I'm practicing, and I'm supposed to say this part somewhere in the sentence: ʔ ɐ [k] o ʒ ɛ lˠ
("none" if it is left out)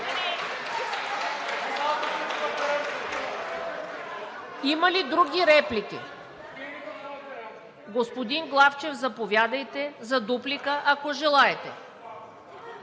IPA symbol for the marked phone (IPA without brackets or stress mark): k